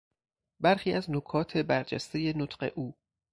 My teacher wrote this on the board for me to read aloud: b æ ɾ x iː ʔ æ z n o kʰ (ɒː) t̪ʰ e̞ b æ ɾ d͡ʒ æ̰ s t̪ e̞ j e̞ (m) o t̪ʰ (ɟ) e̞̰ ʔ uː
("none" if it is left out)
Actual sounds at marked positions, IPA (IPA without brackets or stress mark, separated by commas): ɒː, n, ɢ